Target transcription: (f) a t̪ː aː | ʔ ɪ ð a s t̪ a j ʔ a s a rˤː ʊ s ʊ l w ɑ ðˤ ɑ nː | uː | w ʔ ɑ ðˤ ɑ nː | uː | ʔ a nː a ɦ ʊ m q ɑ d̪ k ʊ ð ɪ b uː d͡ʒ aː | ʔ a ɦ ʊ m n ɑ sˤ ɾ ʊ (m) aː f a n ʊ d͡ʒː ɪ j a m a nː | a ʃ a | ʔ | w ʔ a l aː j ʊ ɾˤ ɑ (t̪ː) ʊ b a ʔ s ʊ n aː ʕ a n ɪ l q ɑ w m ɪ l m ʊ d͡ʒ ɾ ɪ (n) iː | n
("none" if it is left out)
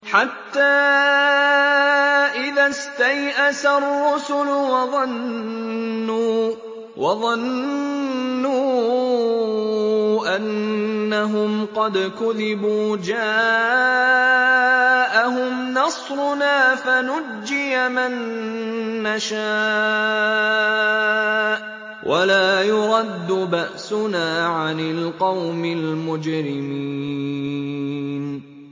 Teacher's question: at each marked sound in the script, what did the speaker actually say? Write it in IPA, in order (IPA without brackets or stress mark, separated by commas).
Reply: ħ, n, d̪ː, m